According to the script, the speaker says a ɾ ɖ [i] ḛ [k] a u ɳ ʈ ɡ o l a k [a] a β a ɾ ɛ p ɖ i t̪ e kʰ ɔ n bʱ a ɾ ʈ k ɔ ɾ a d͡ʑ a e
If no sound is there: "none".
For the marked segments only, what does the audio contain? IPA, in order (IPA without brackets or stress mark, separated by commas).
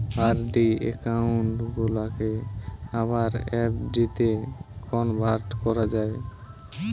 i, k, e